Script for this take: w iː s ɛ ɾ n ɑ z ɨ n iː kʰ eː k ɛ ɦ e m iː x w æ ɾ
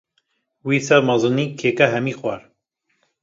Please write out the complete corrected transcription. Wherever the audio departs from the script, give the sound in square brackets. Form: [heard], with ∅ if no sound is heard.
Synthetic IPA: w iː s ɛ ɾ [m] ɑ z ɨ n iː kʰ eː k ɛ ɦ [ɛ] m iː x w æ ɾ